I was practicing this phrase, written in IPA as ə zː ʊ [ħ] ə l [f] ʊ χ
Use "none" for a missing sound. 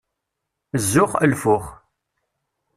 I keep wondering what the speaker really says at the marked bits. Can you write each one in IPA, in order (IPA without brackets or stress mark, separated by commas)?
χ, f